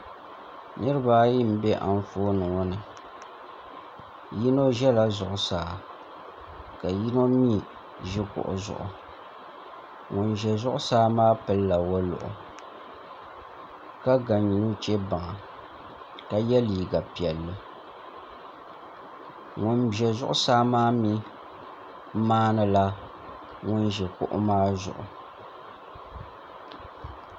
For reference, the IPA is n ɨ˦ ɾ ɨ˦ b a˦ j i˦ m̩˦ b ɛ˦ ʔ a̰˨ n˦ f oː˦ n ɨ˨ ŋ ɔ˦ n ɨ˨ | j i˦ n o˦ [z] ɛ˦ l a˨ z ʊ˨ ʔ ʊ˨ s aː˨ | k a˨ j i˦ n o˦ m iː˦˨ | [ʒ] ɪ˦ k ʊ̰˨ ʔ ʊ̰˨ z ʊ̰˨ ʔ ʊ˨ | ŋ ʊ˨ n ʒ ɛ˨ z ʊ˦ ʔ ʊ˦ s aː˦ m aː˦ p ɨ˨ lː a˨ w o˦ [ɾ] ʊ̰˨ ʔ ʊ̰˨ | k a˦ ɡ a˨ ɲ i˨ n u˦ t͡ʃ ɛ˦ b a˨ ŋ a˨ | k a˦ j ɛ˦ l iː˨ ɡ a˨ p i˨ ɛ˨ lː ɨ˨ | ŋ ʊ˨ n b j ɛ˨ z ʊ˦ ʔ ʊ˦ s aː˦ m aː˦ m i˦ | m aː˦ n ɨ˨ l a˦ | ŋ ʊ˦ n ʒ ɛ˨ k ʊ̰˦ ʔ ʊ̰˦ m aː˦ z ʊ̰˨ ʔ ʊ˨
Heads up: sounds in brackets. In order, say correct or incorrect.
incorrect: ʒ, correct, incorrect: l

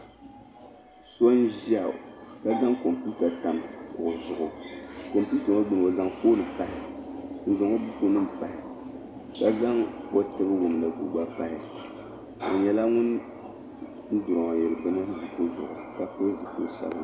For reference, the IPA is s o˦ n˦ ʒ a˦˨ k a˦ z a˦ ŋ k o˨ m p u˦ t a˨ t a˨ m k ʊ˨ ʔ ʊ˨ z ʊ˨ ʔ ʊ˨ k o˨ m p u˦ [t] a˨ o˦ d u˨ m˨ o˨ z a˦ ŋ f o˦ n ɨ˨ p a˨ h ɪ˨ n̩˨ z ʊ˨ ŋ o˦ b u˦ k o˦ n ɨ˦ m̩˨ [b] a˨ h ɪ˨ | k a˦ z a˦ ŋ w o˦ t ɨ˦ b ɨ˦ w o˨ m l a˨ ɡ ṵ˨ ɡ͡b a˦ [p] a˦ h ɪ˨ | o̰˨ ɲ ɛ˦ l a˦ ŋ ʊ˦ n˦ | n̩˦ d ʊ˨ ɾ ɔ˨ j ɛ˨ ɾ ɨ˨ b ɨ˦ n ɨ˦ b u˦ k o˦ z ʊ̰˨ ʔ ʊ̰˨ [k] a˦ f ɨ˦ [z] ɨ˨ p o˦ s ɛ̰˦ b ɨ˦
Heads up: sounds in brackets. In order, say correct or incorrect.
correct, incorrect: p, correct, correct, correct

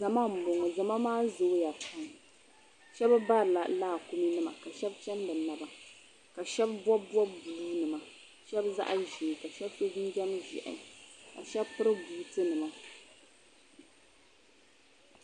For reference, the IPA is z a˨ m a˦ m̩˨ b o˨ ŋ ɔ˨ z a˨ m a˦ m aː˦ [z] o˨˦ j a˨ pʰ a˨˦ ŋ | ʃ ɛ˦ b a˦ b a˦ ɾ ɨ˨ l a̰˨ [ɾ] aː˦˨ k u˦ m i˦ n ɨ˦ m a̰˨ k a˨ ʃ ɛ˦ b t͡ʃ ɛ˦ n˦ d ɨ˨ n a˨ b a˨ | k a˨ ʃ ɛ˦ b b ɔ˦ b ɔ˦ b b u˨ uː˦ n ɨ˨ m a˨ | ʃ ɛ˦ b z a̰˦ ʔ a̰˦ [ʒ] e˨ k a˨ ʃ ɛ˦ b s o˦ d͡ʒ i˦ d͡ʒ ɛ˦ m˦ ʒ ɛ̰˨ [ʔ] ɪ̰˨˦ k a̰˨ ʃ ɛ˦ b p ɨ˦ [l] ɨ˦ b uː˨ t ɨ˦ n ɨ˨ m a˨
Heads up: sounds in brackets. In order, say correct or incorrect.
correct, incorrect: l, correct, correct, incorrect: ɾ

